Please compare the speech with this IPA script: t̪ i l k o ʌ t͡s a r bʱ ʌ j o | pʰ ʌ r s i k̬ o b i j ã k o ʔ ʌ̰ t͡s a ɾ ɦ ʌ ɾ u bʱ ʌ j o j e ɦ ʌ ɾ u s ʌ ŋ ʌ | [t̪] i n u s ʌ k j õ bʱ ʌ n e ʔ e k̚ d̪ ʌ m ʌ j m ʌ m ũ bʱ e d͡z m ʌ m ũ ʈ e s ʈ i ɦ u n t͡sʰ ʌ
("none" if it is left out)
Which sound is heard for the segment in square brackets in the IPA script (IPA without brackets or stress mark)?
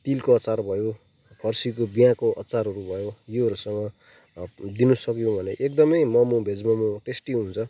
d̪